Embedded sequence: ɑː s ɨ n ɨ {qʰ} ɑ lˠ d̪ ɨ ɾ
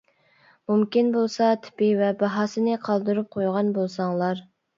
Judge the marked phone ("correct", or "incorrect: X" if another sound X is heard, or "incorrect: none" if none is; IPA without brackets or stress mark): correct